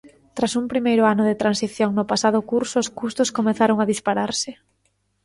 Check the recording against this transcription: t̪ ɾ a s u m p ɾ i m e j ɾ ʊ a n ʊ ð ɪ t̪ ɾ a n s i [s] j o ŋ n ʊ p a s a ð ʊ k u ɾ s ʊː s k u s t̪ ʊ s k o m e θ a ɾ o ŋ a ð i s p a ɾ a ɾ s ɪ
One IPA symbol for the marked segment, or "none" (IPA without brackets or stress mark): θ